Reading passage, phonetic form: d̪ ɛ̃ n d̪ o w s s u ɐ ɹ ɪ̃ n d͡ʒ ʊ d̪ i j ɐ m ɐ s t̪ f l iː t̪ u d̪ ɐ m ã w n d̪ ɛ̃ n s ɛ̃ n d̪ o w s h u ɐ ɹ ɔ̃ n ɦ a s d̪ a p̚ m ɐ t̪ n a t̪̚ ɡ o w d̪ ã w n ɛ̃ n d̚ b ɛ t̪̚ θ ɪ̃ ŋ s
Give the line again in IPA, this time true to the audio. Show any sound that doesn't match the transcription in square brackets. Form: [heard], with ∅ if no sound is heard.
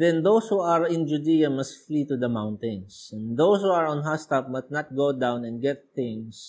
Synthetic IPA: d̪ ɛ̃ n d̪ o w s [h] u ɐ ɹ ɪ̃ n d͡ʒ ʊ d̪ i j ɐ m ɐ s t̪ f l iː t̪ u d̪ ɐ m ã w n [t̪] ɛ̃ n s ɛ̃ n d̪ o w s h u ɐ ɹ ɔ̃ n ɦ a s [t̪] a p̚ m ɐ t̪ n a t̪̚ ɡ o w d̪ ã w n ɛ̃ n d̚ [ɡ] ɛ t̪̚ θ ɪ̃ ŋ s